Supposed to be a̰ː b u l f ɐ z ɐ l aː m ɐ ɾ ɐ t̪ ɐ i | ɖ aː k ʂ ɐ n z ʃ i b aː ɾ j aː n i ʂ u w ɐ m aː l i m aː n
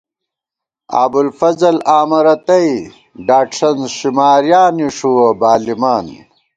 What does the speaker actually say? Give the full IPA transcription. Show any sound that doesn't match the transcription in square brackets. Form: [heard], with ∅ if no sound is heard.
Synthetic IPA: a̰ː b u l f ɐ z ɐ l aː m ɐ ɾ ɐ t̪ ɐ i | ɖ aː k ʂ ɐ n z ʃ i [m] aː ɾ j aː n i ʂ u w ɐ [b] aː l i m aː n